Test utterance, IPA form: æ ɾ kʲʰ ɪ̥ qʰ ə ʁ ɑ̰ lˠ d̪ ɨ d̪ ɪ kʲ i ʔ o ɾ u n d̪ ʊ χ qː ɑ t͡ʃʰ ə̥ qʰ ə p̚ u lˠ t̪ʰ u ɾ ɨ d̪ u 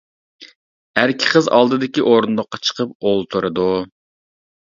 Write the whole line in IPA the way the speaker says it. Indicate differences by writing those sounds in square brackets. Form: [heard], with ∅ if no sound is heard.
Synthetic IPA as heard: æ ɾ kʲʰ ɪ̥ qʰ ə [z] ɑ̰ lˠ d̪ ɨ d̪ ɪ kʲ i ʔ o ɾ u n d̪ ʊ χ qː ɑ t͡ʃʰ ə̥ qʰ ə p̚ [o] lˠ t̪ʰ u ɾ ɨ d̪ u